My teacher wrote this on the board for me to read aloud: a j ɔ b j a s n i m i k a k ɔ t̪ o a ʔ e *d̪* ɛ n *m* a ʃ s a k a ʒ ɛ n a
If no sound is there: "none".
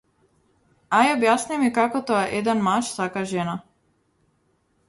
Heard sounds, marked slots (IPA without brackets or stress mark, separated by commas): d̪, m